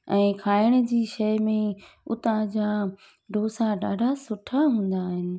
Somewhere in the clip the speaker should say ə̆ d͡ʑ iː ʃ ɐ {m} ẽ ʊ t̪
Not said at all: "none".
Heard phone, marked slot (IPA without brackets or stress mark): m